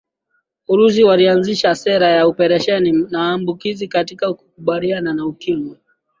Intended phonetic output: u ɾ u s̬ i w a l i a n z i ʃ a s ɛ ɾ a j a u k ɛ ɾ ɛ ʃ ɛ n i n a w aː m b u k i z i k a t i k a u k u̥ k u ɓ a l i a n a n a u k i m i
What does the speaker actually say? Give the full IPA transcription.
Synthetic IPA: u ɾ u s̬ i w a l i a n z i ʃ a s ɛ ɾ a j a u p ɛ ɾ ɛ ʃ ɛ n i n a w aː m b u k i z i k a t i k a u k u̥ k u ɓ a l i a n a n a u k i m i